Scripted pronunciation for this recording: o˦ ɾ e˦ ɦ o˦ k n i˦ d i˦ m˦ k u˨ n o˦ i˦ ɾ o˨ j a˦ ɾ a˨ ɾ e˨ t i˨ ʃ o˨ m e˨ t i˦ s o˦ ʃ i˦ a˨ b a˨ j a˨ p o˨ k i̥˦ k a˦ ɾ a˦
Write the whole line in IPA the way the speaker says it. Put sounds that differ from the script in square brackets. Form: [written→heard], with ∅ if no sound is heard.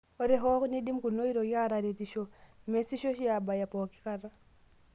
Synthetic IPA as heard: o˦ ɾ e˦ ɦ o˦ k n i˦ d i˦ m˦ k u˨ n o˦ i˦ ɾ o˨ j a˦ ɾ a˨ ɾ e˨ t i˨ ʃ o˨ m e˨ [t→s] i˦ [s→ʃ] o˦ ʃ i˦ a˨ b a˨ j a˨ p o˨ k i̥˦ k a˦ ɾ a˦